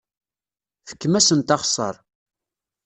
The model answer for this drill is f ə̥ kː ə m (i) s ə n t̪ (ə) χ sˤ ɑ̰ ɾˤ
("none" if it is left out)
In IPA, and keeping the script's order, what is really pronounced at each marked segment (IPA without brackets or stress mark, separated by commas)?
æ, ɑ